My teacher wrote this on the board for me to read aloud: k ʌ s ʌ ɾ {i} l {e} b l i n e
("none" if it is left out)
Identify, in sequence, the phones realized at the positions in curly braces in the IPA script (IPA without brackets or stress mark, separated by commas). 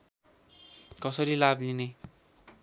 i, a